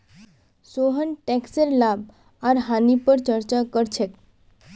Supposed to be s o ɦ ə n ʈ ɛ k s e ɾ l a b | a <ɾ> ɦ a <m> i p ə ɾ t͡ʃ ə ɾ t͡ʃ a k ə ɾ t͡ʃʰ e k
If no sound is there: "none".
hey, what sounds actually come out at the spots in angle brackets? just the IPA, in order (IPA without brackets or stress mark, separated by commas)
ɾ, n